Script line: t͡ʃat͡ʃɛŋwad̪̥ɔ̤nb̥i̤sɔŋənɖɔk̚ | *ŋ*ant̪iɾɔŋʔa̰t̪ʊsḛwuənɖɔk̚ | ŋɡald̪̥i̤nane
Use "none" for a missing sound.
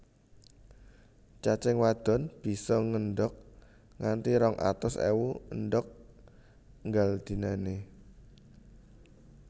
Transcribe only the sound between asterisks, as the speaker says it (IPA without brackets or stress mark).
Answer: ŋ